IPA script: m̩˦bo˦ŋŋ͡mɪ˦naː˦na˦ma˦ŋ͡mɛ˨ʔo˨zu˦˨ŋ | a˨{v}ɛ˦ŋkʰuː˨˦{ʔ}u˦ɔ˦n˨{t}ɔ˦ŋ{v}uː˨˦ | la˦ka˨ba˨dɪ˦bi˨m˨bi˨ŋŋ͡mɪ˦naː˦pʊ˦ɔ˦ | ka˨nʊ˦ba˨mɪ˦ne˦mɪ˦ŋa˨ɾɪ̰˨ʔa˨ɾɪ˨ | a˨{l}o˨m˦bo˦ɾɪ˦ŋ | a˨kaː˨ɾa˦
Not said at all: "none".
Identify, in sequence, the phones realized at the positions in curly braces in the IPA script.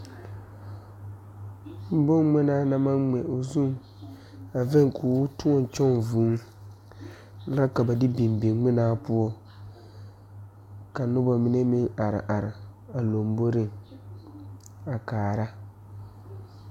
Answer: v, t, t͡ʃ, v, l

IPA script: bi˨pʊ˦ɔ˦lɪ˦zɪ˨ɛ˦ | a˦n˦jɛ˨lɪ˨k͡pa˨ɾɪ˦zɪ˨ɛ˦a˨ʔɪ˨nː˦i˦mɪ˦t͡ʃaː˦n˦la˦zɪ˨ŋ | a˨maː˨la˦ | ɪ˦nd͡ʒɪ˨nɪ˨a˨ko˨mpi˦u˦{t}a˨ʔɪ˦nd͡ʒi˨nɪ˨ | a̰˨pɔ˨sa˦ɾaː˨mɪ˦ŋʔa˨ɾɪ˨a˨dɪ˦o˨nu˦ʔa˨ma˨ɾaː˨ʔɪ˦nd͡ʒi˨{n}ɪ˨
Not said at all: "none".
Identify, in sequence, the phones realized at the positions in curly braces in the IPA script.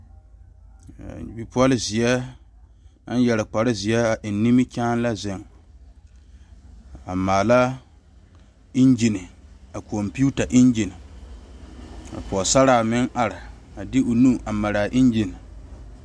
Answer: t, n

